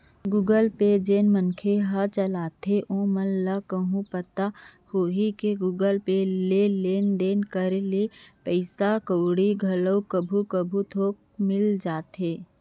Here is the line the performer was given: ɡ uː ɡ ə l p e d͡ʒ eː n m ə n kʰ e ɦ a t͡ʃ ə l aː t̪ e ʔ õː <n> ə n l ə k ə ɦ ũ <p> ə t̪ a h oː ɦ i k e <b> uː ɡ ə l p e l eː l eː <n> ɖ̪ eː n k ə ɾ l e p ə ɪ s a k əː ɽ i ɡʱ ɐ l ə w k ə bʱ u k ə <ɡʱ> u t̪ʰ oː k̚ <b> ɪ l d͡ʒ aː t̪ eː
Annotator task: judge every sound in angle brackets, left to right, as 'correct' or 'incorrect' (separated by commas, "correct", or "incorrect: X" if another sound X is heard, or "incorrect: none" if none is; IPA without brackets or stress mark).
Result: incorrect: m, correct, incorrect: ɡ, correct, incorrect: bʱ, incorrect: m